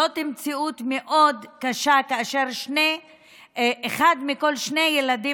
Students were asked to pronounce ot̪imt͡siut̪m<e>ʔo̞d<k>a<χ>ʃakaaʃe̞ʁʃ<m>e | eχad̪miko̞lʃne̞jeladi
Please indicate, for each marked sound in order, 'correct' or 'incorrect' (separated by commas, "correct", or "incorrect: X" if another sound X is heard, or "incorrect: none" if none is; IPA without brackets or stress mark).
correct, correct, incorrect: none, incorrect: n